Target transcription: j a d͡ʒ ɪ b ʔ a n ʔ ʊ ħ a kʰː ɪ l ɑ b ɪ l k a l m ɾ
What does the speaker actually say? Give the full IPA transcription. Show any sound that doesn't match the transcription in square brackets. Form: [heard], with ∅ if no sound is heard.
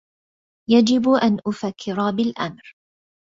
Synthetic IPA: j a d͡ʒ ɪ b ʔ a n ʔ ʊ [f] a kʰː ɪ [ɾ] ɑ b ɪ l [ʔ] a [∅] m ɾ